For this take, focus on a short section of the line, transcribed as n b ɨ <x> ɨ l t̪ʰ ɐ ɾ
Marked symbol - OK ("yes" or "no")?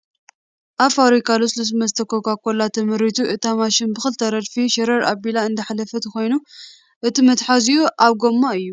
yes